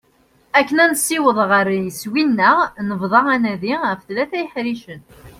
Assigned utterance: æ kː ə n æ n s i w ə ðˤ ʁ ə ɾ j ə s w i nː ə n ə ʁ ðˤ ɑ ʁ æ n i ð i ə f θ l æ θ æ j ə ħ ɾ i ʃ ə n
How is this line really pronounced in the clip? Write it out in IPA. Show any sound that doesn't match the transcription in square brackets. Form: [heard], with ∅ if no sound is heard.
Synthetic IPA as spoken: æ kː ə n æ n s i w ə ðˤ ʁ ə ɾ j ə s w i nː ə n ə [v] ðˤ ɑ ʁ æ n [æ] ð i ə f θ l æ θ æ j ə ħ ɾ i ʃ ə n